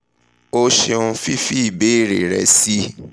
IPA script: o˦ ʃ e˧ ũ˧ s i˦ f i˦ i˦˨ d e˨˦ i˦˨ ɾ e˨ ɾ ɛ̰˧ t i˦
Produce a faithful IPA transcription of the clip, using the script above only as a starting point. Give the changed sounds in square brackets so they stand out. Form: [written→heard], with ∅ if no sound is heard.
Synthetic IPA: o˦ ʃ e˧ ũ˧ [s→f] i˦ f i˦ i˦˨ [d→b] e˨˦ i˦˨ ɾ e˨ ɾ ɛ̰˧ [t→s] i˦